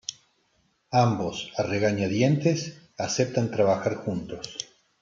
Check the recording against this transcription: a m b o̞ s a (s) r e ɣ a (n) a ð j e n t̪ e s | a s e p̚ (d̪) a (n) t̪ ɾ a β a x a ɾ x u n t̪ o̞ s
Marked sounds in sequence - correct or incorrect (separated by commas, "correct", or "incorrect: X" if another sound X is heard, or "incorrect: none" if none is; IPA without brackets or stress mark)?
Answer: incorrect: none, incorrect: ɲ, incorrect: t̪, correct